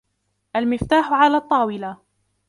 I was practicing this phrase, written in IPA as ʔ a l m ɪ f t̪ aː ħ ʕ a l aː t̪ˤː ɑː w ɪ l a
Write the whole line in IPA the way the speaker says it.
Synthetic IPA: ʔ a l m ɪ f t̪ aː ħ ʕ a l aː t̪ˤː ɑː w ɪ l a